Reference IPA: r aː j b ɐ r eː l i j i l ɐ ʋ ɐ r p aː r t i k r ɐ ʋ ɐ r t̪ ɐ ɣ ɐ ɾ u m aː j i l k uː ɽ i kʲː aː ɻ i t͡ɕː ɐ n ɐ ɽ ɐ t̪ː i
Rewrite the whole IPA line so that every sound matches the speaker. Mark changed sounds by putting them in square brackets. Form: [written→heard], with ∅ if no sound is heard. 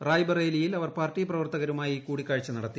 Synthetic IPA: r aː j b ɐ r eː l i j i l ɐ ʋ ɐ r p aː r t i [k→p] r ɐ ʋ ɐ r t̪ ɐ ɣ ɐ ɾ u m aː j i [l→∅] k uː ɽ i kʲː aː ɻ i t͡ɕː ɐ n ɐ ɽ ɐ t̪ː i